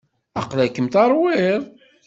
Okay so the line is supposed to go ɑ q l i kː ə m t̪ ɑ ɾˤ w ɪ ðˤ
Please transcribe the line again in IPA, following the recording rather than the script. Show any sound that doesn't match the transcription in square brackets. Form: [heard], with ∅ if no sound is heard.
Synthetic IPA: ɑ q l [æ] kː ə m t̪ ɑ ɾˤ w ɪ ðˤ